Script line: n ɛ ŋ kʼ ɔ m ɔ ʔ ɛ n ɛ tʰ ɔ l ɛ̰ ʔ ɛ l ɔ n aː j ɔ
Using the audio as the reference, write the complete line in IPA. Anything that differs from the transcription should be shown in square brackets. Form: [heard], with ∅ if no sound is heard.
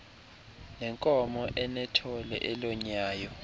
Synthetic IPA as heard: n ɛ ŋ kʼ ɔ m ɔ ʔ ɛ n ɛ tʰ ɔ l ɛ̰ ʔ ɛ l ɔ [ɲ] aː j ɔ